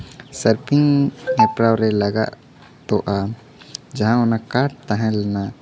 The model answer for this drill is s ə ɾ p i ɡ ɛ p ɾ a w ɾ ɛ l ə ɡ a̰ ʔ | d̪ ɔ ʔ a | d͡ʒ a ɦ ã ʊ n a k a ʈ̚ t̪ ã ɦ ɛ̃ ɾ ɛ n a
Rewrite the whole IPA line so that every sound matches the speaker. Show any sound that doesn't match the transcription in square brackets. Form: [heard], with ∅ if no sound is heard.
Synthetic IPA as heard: s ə ɾ p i [ŋ] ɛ p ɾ a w ɾ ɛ l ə ɡ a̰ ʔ | [t̪] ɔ ʔ a | d͡ʒ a ɦ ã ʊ n a k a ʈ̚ t̪ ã ɦ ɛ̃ [l] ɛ n a